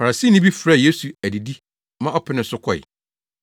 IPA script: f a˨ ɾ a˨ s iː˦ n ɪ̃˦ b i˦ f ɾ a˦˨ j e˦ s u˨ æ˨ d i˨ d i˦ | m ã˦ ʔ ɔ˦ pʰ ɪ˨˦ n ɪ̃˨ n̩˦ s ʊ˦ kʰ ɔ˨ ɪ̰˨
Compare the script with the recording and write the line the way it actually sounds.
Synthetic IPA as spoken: f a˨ ɾ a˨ s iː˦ n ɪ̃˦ b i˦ f ɾ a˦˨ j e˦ s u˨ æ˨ d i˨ d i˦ | m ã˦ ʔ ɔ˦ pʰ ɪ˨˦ n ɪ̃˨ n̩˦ s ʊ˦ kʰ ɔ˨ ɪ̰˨